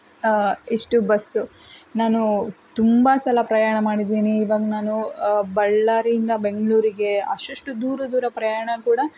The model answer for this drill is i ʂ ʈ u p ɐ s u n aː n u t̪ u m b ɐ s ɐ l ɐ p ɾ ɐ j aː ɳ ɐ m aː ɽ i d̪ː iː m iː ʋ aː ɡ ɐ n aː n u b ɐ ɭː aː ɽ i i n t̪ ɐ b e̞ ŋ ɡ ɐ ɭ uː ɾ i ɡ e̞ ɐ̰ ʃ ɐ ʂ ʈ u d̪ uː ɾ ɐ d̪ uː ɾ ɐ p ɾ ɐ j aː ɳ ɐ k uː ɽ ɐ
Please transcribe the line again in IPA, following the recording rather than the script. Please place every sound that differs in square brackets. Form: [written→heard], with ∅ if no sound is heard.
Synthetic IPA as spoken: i ʂ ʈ u [p→b] ɐ s u n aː n u t̪ u m b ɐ s ɐ l ɐ p ɾ ɐ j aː ɳ ɐ m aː ɽ i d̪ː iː [m→n] iː ʋ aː ɡ ɐ n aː n u b ɐ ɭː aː [ɽ→ɾ] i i n [t̪→d̪] ɐ b e̞ ŋ ɡ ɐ ɭ uː ɾ i ɡ e̞ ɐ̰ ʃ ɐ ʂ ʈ u d̪ uː ɾ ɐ d̪ uː ɾ ɐ p ɾ ɐ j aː ɳ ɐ k uː ɽ ɐ